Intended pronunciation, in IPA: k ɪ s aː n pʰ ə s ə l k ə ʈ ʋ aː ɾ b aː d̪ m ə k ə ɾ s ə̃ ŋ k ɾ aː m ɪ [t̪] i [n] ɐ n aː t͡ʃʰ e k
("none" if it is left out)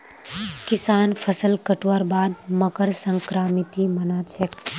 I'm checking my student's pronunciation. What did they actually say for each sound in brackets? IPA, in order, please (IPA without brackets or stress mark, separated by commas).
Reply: t̪, m